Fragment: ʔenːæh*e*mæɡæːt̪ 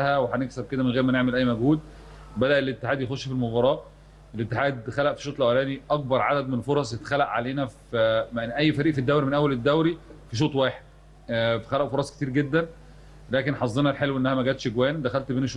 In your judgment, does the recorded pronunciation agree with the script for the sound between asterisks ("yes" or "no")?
no